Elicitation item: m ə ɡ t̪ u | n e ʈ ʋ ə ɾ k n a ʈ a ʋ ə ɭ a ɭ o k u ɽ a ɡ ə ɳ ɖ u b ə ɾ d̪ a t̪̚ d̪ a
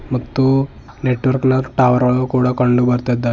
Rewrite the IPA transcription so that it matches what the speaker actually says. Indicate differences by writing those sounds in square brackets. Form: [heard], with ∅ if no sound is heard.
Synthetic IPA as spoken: m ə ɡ t̪ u | n e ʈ ʋ ə ɾ k n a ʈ a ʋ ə [ɾ] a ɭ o k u ɽ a [k] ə ɳ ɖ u b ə ɾ [t̪] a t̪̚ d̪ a